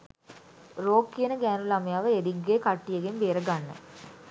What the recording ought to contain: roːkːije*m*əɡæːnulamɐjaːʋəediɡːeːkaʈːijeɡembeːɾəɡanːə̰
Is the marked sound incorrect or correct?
incorrect